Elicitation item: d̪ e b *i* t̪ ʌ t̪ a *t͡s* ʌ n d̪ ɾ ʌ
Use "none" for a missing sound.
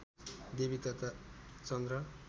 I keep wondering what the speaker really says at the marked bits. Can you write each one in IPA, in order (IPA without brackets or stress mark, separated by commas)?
i, t͡s